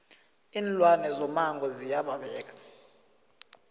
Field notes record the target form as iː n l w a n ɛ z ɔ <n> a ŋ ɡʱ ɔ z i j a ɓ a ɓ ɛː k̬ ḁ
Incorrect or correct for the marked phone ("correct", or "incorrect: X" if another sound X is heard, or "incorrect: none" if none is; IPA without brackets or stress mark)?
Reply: incorrect: m